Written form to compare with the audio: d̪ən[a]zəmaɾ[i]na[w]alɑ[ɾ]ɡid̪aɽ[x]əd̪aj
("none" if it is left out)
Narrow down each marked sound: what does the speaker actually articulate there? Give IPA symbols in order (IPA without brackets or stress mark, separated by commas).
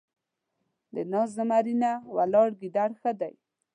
ɑ, i, w, ɽ, x